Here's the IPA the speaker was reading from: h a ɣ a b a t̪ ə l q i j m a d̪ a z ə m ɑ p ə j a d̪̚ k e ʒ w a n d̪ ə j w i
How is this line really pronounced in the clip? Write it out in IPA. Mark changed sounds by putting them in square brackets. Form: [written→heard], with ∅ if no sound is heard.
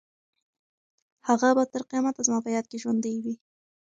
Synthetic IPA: h a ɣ a b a t̪ ə [l→ɾ] q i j m a [d̪→t̪] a z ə m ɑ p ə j [a→ɑ] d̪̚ k e ʒ w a n d̪ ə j w i